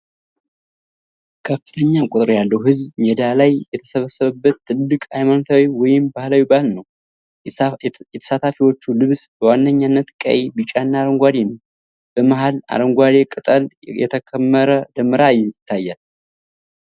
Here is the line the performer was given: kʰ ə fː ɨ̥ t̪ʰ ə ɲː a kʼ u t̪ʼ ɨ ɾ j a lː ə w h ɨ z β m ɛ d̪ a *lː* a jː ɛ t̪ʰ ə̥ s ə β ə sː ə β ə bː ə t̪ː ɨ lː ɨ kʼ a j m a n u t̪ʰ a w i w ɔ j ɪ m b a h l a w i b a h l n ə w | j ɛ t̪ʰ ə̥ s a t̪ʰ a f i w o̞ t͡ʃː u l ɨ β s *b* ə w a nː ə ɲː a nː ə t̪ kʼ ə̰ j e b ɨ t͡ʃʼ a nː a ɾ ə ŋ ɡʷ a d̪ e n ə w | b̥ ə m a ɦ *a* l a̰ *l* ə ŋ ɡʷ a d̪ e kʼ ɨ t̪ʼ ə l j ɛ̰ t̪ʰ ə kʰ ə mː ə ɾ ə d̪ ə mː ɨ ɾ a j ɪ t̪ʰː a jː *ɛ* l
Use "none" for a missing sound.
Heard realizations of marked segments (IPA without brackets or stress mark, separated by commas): l, b, a, ɾ, a